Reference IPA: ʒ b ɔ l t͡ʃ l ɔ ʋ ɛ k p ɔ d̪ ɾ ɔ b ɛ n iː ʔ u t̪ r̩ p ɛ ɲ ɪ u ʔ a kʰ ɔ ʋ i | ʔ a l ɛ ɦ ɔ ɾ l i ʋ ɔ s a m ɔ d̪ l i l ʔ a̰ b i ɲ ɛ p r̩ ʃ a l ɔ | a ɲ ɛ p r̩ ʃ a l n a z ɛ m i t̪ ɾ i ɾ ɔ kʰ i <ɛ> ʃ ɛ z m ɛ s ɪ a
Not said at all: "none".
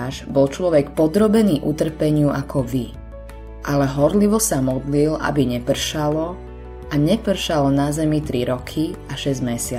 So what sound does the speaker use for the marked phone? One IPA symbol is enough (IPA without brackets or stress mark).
a